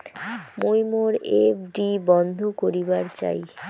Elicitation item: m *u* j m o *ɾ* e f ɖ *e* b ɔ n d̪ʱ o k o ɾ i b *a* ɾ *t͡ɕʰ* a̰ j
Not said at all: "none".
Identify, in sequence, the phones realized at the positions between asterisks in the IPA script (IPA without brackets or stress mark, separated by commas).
o, ɾ, i, a, t͡ɕ